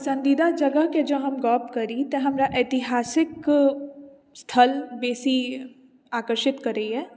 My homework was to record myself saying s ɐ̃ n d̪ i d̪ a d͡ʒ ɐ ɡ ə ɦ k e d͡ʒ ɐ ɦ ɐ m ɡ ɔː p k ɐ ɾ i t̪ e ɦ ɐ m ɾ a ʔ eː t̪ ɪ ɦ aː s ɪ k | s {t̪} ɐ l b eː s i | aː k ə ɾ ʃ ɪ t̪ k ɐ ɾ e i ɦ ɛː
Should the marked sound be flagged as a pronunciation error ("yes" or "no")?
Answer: yes